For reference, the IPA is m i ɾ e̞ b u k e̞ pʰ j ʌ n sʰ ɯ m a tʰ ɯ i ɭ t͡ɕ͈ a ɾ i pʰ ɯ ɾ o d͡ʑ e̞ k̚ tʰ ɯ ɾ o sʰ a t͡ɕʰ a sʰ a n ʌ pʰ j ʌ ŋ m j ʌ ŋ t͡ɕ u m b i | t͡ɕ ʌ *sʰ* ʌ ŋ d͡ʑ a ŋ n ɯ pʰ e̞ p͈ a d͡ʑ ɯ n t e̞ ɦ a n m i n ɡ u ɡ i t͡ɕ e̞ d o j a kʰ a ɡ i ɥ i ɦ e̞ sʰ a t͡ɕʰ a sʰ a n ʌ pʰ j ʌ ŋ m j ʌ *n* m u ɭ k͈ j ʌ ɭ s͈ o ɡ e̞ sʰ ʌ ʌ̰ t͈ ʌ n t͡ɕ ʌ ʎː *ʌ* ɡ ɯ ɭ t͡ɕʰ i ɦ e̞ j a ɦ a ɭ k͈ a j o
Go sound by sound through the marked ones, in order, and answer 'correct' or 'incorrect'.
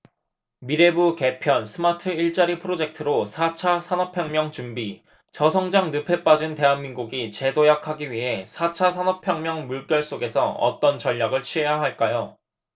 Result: correct, incorrect, incorrect

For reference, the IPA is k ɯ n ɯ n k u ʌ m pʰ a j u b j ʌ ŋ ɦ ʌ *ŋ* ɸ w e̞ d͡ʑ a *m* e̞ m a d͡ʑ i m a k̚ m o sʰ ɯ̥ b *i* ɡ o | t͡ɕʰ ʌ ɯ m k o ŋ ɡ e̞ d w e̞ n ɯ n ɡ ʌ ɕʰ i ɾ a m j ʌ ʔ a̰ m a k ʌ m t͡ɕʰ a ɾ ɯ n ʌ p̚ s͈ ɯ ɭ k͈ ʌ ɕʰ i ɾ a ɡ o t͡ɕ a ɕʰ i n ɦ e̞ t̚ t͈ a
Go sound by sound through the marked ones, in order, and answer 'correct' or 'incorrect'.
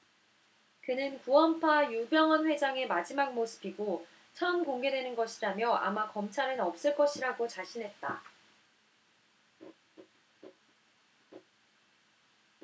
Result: incorrect, incorrect, correct

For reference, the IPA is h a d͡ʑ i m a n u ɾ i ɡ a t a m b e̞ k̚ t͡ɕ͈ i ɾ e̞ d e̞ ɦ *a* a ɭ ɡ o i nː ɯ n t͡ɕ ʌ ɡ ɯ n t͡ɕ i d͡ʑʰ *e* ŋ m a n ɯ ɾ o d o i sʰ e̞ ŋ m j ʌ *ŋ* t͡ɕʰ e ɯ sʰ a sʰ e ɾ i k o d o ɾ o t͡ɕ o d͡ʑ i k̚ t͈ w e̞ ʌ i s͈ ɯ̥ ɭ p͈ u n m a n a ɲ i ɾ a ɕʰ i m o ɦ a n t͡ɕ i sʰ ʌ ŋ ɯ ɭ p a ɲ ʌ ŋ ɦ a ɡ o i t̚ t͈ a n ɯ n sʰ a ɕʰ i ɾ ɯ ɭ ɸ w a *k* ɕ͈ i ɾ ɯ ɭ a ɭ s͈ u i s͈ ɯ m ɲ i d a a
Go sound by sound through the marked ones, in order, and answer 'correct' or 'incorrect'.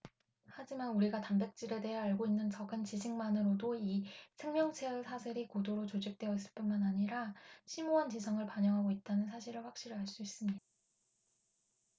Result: incorrect, incorrect, correct, correct

